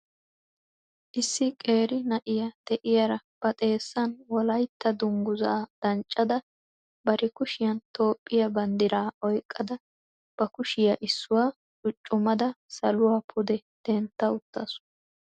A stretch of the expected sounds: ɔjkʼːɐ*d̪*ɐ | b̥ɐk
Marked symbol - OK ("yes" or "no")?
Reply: yes